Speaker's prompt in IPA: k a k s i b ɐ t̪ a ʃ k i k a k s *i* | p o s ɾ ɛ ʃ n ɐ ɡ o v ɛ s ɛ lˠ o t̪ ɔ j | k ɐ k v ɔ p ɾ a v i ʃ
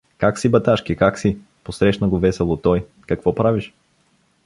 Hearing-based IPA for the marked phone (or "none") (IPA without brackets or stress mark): i